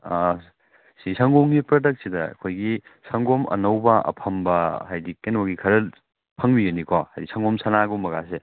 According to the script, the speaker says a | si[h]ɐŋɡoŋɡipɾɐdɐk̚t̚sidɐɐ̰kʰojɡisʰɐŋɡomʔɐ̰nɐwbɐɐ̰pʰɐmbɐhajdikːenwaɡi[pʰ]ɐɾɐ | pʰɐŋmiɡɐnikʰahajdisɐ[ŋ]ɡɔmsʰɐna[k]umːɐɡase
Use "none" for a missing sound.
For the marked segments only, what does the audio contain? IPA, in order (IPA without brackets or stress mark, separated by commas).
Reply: s, kʰ, ŋ, ɡ